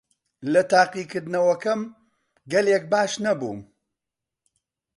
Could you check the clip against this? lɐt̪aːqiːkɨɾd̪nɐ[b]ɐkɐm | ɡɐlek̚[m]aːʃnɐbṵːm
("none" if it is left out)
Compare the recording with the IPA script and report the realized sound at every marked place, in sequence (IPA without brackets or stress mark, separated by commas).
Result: w, b